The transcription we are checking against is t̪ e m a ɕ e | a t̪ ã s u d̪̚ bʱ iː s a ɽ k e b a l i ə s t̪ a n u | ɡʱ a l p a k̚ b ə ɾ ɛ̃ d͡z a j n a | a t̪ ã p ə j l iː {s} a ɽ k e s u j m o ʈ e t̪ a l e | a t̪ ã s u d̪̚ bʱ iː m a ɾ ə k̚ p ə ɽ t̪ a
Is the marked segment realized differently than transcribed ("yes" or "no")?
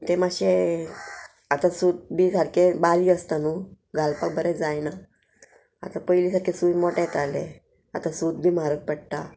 no